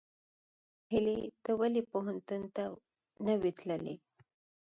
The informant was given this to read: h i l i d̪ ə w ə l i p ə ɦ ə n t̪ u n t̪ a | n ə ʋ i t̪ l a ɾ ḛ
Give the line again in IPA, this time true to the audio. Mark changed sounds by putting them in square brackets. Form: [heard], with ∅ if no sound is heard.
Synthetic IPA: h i l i [t̪] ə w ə l i p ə ɦ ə n t̪ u n t̪ a | n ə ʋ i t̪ l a [l] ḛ